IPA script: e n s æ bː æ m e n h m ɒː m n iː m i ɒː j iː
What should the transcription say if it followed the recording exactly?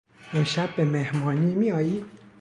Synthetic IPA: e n ʃ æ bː e m e h m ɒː n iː m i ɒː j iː